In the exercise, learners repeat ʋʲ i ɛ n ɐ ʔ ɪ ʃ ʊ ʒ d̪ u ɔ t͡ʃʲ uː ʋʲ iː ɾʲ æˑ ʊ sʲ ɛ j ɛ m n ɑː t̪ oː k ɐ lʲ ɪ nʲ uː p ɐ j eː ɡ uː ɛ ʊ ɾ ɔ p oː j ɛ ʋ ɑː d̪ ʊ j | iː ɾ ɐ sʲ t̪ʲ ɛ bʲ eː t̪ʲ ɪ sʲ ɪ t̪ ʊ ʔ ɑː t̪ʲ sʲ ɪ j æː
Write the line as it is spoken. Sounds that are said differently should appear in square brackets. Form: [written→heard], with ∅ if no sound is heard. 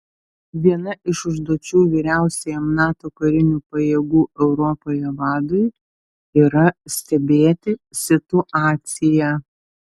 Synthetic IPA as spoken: ʋʲ i ɛ n ɐ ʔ ɪ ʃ ʊ ʒ d̪ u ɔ t͡ʃʲ uː ʋʲ iː ɾʲ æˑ ʊ sʲ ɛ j ɛ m n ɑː t̪ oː k ɐ [lʲ→ɾʲ] ɪ nʲ uː p ɐ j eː ɡ uː ɛ ʊ ɾ ɔ p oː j ɛ ʋ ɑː d̪ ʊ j | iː ɾ ɐ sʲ t̪ʲ ɛ bʲ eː t̪ʲ ɪ sʲ ɪ t̪ ʊ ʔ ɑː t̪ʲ sʲ ɪ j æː